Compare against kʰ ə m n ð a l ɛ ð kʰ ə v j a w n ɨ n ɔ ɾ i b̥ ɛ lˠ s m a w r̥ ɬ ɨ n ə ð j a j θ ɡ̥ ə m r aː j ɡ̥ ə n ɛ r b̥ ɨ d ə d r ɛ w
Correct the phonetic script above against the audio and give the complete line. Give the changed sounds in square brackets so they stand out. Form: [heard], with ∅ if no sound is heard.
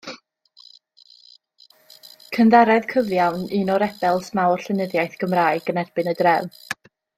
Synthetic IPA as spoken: kʰ ə [∅] n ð a [ɾ] ɛ ð kʰ ə v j a w n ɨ n ɔ ɾ [ɛ] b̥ ɛ lˠ s m a w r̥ ɬ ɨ n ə ð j a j θ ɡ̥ ə m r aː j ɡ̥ ə n ɛ r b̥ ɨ [n] ə d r ɛ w

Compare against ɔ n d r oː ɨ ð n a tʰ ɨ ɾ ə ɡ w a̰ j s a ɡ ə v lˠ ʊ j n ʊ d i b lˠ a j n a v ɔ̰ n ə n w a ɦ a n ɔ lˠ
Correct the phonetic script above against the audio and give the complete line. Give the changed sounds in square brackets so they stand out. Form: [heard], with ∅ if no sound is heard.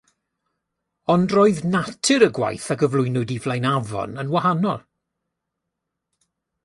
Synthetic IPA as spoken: ɔ n d r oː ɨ ð n a tʰ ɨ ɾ ə ɡ w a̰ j [θ] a ɡ ə v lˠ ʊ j n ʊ d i [v] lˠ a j n a v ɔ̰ n ə n w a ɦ a n ɔ lˠ

